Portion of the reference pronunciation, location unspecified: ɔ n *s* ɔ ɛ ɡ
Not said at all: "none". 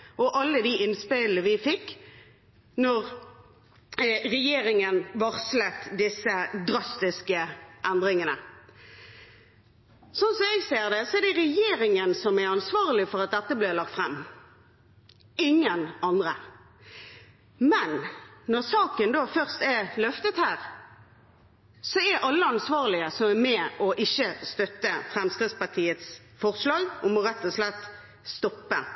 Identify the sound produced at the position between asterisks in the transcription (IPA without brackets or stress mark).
s